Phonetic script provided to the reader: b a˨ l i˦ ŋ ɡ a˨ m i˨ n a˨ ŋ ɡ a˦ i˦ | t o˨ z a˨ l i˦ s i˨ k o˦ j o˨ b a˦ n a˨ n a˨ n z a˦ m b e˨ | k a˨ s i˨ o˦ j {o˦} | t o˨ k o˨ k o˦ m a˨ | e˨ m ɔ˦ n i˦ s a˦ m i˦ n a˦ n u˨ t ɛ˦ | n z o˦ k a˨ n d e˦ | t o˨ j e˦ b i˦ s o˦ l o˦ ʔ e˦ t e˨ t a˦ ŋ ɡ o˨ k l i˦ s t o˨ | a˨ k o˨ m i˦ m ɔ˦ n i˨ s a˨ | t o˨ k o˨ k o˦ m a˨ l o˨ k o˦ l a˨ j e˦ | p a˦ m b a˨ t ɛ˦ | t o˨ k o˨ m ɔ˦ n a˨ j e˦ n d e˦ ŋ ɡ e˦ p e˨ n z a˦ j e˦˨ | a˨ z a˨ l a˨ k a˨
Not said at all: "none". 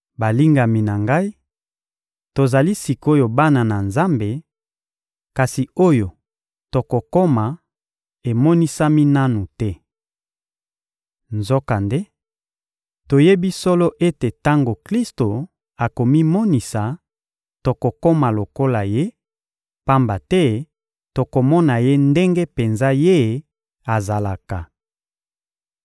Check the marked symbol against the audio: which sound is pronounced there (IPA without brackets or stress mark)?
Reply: o˨